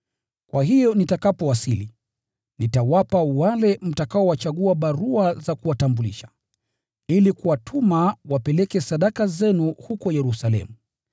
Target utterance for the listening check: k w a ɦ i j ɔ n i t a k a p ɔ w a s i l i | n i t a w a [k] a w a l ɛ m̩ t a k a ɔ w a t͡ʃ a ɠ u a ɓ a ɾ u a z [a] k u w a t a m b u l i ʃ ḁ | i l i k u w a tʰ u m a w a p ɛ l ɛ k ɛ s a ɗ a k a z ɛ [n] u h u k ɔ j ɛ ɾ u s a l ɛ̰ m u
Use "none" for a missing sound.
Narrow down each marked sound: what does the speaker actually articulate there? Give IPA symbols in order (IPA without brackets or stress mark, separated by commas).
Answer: p, a, n